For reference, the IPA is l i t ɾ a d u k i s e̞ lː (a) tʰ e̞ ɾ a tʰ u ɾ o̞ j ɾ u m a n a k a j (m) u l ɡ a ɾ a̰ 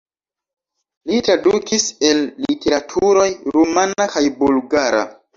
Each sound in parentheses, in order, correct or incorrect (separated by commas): incorrect, incorrect